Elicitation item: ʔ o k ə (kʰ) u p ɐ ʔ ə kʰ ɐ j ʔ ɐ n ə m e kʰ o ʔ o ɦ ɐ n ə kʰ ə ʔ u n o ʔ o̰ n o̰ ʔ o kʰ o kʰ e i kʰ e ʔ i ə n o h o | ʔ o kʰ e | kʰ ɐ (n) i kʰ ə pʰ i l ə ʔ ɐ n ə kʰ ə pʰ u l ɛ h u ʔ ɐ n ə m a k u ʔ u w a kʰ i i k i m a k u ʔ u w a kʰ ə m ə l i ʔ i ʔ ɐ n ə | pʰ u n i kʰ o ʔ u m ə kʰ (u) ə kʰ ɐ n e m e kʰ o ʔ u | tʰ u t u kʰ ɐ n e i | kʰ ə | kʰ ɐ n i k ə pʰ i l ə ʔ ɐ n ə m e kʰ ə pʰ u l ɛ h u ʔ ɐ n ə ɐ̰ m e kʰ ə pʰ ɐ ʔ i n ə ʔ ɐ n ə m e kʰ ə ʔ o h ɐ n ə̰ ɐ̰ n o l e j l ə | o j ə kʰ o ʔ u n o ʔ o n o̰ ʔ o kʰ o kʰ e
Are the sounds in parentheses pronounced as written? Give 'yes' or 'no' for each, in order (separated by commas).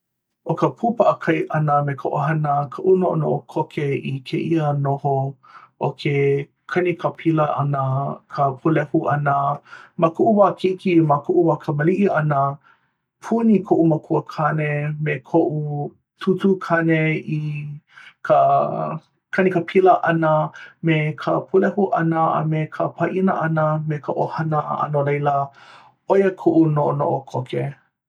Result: no, yes, yes